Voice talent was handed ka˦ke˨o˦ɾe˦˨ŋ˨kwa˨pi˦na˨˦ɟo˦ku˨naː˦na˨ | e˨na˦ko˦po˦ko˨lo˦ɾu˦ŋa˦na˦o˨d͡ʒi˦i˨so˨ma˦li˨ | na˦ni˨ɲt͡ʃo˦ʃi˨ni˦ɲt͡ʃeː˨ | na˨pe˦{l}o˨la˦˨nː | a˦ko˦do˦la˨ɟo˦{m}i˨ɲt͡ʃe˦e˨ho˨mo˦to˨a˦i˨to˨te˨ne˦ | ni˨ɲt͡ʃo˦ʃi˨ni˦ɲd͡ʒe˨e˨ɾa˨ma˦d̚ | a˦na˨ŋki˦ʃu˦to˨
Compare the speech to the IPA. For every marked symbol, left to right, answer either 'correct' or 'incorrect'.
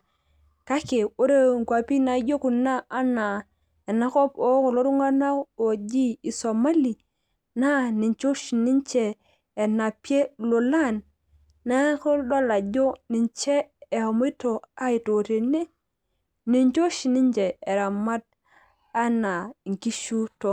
correct, incorrect

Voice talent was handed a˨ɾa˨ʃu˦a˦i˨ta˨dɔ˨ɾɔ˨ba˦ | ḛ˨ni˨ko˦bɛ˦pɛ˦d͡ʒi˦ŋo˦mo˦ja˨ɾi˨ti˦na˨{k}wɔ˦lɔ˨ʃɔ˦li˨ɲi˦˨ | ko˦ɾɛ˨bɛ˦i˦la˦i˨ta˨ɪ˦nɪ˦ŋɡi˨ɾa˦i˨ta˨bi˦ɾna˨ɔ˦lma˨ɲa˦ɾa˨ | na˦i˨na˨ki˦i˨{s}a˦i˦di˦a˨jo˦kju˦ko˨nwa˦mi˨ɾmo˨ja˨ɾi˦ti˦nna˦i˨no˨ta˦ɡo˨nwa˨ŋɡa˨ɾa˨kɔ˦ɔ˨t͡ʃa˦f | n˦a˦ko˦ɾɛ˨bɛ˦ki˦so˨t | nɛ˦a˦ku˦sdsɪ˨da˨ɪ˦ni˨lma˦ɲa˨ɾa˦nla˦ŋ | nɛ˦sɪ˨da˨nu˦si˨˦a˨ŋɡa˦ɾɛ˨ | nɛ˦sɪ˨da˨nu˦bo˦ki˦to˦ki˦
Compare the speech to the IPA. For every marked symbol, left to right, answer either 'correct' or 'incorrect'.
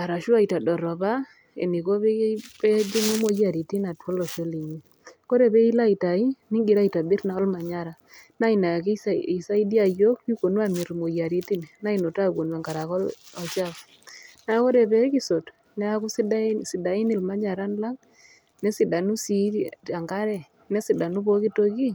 incorrect, correct

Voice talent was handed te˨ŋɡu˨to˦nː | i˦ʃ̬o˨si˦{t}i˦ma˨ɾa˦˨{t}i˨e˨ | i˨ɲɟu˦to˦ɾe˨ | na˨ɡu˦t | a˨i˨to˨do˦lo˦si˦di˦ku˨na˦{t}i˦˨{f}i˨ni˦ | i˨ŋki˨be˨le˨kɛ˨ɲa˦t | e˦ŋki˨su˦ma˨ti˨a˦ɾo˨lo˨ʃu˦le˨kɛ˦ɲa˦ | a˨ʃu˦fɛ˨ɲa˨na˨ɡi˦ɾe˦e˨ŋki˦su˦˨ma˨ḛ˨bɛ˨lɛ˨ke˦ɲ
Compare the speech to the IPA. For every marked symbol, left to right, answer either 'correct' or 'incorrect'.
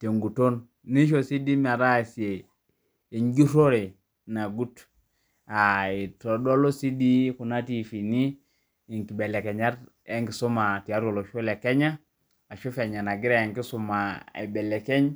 incorrect, incorrect, correct, correct

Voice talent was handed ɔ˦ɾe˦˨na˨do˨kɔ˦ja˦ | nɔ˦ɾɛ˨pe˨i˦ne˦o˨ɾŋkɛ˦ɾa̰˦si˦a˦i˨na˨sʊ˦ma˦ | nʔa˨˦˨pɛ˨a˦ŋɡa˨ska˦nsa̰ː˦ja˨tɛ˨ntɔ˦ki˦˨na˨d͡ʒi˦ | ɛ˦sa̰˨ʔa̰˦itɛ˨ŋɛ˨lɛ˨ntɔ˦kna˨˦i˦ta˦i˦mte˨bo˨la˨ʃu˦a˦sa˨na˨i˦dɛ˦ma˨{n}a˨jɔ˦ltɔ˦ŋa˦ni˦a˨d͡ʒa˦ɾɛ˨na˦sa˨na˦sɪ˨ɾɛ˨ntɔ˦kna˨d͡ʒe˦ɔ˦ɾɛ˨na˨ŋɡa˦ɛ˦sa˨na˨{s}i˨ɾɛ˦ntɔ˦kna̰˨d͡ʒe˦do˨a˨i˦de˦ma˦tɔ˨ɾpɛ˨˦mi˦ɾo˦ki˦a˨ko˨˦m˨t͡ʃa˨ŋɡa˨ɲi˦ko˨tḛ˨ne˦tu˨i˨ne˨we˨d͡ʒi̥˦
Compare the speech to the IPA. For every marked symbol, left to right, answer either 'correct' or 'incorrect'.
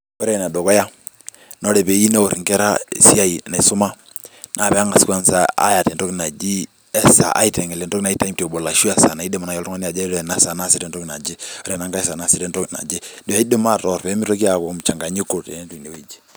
correct, correct

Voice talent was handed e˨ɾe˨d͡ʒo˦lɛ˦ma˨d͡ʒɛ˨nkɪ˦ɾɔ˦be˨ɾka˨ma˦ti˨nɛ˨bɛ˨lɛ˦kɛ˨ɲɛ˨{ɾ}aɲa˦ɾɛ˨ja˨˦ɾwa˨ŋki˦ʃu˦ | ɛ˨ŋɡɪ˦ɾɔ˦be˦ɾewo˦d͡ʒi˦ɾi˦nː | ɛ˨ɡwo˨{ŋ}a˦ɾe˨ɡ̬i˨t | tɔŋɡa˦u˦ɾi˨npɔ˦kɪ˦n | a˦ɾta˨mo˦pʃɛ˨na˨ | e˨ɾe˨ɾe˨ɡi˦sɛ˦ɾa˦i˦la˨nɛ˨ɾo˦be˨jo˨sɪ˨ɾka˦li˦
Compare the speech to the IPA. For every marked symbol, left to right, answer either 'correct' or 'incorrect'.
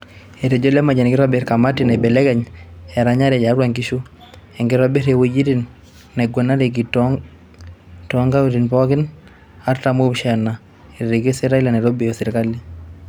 correct, incorrect

